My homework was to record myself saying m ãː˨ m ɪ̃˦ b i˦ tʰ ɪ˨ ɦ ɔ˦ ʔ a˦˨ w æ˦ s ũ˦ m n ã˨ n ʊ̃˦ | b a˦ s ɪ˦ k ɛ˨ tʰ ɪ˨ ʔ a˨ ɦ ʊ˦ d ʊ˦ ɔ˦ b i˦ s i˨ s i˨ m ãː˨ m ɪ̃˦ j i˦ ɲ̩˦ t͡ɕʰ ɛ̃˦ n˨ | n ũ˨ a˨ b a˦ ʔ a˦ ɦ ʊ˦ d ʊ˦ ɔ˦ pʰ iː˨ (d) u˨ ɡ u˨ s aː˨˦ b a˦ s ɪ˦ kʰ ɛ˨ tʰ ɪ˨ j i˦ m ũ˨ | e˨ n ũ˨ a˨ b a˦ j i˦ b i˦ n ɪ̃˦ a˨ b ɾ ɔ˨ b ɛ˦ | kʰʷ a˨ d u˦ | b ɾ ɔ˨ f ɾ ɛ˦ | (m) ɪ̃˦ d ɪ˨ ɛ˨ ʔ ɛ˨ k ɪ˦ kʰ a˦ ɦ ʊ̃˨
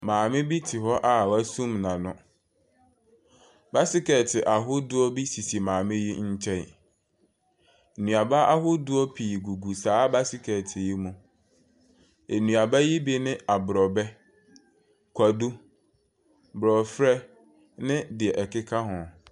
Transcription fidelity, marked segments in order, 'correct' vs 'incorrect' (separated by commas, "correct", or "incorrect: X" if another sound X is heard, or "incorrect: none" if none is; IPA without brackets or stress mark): incorrect: ɡ, incorrect: n